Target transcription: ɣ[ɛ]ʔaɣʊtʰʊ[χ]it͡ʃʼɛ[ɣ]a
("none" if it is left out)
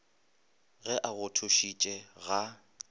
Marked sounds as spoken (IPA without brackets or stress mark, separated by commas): ɛ, ʃ, ɣ